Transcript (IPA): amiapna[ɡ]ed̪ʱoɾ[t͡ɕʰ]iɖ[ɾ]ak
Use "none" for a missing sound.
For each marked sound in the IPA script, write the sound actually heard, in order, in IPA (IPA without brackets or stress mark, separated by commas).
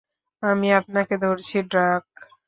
k, t͡ɕʰ, ɾ